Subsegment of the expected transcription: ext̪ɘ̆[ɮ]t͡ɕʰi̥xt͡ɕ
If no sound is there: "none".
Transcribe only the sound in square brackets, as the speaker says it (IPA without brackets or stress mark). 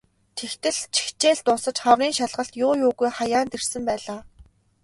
ɮ